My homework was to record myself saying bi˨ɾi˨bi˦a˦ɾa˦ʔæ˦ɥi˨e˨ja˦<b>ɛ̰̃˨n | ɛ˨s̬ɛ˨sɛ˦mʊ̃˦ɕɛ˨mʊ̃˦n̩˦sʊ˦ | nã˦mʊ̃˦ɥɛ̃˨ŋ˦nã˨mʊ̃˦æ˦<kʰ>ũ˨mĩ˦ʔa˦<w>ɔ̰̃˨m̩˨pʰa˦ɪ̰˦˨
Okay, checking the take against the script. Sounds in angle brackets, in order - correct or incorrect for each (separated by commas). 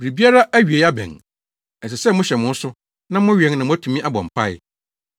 correct, incorrect, incorrect